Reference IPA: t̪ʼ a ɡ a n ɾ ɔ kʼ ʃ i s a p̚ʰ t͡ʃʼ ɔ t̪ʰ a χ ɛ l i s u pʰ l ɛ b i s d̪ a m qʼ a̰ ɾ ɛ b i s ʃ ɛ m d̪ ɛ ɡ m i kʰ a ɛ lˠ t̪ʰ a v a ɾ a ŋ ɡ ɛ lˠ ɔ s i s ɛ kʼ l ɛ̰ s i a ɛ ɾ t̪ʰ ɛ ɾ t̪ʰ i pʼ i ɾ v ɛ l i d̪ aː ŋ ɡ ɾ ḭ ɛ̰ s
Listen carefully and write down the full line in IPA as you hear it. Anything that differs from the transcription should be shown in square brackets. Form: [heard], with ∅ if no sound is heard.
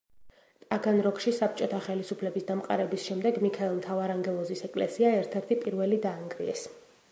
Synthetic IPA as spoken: t̪ʼ a ɡ a n ɾ ɔ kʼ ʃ i s a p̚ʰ t͡ʃʼ ɔ t̪ʰ a χ ɛ l i s u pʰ l ɛ b i s d̪ a m qʼ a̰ ɾ ɛ b i s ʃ ɛ m d̪ ɛ ɡ m i kʰ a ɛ lˠ t̪ʰ a v a ɾ a ŋ ɡ ɛ lˠ ɔ [z] i s ɛ kʼ l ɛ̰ s i a ɛ ɾ t̪ʰ ɛ ɾ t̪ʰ i pʼ i ɾ v ɛ l i d̪ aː ŋ ɡ ɾ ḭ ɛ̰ s